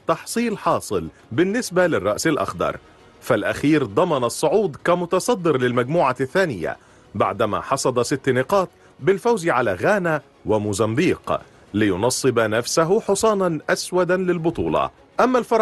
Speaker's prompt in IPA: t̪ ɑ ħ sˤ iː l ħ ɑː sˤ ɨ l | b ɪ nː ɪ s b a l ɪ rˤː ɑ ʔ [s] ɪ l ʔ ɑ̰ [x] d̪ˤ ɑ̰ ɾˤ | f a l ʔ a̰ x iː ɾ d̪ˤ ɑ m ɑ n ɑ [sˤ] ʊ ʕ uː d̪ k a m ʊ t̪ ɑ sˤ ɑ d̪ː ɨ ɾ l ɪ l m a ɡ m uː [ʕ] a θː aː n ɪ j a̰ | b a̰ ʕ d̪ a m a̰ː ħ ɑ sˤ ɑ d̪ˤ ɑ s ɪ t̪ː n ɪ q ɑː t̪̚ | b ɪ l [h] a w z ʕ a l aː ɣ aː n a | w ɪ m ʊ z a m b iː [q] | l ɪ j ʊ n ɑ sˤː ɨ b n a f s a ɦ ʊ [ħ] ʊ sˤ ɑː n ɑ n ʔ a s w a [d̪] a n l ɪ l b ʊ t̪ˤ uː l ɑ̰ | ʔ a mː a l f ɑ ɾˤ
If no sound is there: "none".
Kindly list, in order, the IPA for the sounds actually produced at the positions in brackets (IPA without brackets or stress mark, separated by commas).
s, x, sˤː, ʕ, f, q, ħ, d̪